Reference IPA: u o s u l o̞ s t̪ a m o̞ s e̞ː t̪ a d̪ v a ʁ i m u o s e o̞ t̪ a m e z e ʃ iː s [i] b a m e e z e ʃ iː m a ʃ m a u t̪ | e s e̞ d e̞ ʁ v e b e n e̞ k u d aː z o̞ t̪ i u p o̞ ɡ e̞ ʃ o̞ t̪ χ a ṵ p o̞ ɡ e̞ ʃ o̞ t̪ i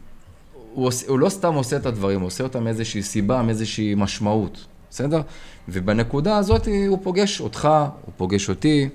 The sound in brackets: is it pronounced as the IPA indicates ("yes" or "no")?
yes